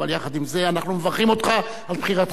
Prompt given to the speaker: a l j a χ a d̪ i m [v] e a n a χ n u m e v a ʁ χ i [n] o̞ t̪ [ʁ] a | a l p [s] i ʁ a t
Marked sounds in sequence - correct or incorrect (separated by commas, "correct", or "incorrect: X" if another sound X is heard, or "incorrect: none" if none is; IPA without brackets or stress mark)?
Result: incorrect: z, incorrect: m, incorrect: χ, incorrect: χ